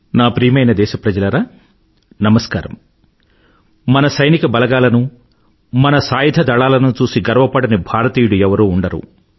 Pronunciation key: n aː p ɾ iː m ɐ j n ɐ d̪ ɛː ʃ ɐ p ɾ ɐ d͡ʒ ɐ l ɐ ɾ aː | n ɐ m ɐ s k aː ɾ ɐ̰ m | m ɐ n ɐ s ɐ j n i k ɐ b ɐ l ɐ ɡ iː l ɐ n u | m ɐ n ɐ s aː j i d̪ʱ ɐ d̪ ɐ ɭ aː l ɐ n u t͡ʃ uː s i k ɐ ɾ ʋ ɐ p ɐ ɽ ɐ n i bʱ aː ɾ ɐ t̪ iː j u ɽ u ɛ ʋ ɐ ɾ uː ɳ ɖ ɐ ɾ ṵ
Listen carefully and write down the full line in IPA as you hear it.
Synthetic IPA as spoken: n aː p ɾ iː m ɐ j n ɐ d̪ ɛː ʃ ɐ p ɾ ɐ d͡ʒ ɐ l ɐ ɾ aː | n ɐ m ɐ s k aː ɾ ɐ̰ m | m ɐ n ɐ s ɐ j n i k ɐ b ɐ l ɐ ɡ aː l ɐ n u | m ɐ n ɐ s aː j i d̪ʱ ɐ d̪ ɐ ɭ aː l ɐ n u t͡ʃ uː s i ɡ ɐ ɾ ʋ ɐ p ɐ ɽ ɐ n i bʱ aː ɾ ɐ t̪ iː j u ɽ u ɛ ʋ ɐ ɾ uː ɳ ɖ ɐ ɾ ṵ